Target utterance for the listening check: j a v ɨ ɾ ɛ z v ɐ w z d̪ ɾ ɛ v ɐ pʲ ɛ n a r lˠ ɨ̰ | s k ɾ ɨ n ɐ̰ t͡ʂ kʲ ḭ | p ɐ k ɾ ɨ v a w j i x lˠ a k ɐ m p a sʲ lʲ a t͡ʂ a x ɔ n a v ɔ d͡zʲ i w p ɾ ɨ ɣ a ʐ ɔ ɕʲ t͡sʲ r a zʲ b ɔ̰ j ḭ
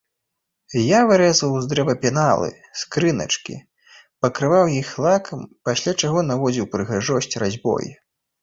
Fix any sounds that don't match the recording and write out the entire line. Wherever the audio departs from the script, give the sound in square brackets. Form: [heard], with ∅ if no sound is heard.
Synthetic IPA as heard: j a v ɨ ɾ ɛ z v ɐ w z d̪ ɾ ɛ v ɐ pʲ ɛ n a [∅] lˠ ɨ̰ | s k ɾ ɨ n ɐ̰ t͡ʂ kʲ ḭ | p ɐ k ɾ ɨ v a w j i x lˠ a k ɐ m p a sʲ lʲ a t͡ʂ a [ɣ] ɔ n a v ɔ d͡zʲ i w p ɾ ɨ ɣ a ʐ ɔ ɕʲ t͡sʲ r a zʲ b ɔ̰ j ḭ